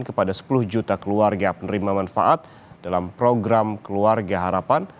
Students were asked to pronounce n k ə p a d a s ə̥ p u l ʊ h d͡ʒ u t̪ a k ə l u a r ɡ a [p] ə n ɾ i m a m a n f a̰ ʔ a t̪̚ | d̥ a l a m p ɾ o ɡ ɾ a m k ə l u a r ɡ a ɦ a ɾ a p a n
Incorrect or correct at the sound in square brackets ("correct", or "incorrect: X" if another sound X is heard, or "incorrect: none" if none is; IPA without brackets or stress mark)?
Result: correct